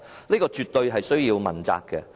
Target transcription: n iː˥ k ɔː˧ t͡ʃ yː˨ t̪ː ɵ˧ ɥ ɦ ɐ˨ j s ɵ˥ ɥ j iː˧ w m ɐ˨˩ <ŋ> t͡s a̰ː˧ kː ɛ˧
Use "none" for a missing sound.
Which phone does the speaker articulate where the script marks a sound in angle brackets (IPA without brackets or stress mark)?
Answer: n